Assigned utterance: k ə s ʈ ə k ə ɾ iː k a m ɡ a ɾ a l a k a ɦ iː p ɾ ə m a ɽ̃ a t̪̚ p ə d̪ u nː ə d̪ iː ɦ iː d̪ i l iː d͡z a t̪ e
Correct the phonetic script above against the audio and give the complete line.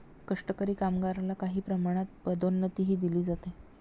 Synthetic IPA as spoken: k ə ʂ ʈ ə k ə ɾ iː k a m ɡ a ɾ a l a k a ɦ iː p ɾ ə m a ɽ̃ a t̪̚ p ə d̪ o nː ə t̪ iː ɦ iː d̪ i l iː d͡z a t̪ e